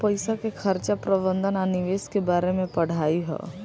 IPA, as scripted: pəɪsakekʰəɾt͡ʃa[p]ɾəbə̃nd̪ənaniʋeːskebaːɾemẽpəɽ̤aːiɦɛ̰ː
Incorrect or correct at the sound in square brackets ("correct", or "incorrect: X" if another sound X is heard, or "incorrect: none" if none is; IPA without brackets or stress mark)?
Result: correct